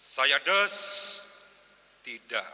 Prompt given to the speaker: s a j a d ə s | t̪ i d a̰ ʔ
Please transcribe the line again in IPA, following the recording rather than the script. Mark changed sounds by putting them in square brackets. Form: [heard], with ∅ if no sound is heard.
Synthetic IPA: s a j a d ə s | t̪ i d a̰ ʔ